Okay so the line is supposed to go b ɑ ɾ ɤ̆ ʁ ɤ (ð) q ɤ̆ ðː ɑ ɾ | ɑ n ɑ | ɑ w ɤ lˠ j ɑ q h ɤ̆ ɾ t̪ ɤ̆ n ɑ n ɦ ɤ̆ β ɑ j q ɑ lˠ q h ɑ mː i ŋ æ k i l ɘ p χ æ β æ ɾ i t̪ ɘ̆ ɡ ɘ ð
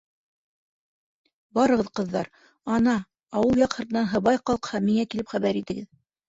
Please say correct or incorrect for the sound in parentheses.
correct